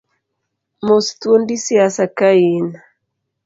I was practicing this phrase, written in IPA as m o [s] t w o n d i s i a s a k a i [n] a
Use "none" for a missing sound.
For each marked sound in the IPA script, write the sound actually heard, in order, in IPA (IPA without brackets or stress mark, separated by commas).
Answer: s, n